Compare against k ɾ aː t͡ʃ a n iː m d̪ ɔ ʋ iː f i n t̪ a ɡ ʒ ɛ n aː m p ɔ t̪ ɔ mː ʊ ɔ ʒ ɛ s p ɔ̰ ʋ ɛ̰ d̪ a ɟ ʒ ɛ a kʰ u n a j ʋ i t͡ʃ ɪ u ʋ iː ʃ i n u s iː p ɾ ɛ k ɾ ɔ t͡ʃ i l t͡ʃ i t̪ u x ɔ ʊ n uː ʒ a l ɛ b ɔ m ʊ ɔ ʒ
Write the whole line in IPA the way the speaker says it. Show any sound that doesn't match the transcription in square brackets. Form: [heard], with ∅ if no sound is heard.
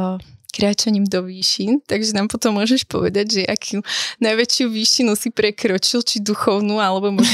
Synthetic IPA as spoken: k ɾ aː t͡ʃ a [ɲ] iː m d̪ ɔ ʋ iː [ʃ] i n t̪ a ɡ ʒ ɛ n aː m p ɔ t̪ ɔ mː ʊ ɔ ʒ ɛ [ʃ] p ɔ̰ ʋ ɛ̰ d̪ a ɟ ʒ ɛ a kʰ u n a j ʋ [ɛ] t͡ʃ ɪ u ʋ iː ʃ i n u s [i] p ɾ ɛ k ɾ ɔ t͡ʃ i l t͡ʃ i [d̪] u x ɔ ʊ n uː [∅] a l ɛ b ɔ m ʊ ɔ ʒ